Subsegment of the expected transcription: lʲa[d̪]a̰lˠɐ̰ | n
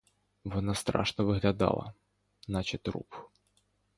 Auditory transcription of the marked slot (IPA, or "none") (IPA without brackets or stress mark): d̪